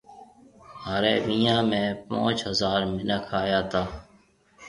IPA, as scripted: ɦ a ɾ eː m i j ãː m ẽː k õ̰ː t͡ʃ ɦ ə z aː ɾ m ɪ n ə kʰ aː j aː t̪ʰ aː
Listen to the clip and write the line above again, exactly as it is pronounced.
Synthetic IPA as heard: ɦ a ɾ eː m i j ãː m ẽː p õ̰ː t͡ʃ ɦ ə z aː ɾ m ɪ n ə kʰ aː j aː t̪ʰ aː